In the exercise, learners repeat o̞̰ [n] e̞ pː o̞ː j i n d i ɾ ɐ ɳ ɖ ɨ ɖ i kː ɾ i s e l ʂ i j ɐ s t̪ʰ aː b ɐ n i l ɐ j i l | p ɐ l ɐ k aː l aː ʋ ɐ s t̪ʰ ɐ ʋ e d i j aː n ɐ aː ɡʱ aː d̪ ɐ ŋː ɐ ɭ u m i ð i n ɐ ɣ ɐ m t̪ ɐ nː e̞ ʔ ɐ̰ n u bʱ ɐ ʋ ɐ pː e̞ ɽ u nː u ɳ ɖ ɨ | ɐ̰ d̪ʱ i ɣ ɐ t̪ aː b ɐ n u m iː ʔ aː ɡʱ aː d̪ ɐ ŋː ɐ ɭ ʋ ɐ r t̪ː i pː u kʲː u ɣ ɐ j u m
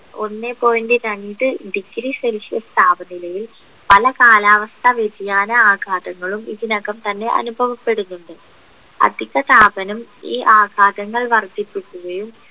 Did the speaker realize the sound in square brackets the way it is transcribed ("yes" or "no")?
no